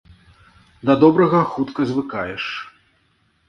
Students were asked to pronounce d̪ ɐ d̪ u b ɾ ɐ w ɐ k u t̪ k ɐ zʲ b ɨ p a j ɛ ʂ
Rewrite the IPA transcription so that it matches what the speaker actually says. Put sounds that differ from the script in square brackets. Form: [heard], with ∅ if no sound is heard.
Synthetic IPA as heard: d̪ ɐ d̪ [ɔ] b ɾ ɐ [ɣ] ɐ [x] u t̪ k ɐ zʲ [v] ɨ [k] a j ɛ ʂ